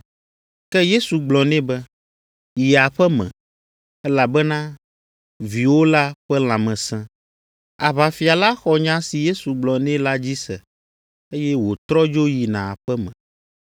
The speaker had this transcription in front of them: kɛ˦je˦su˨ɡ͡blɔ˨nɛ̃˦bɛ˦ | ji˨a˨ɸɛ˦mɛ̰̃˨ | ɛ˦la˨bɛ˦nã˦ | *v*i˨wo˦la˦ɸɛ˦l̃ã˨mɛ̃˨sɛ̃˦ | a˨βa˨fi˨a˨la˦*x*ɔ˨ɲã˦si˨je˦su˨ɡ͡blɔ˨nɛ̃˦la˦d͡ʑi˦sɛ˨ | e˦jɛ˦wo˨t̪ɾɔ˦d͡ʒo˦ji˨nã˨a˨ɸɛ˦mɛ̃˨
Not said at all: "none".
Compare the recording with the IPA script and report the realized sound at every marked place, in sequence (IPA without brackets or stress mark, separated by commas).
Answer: v, x